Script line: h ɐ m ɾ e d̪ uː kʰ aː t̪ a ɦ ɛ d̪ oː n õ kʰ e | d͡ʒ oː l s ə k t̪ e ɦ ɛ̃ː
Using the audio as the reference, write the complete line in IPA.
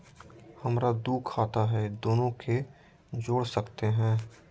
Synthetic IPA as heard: h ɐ m ɾ a d̪ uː kʰ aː t̪ a ɦ ɛ d̪ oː n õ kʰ e | d͡ʒ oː ɽ s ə k t̪ e ɦ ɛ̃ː